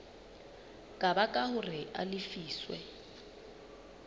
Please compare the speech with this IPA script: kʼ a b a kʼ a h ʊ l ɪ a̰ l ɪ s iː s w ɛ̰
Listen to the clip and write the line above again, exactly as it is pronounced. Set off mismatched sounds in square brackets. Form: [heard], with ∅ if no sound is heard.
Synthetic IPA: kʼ a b a kʼ a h ʊ [r] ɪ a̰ l ɪ [f] iː s w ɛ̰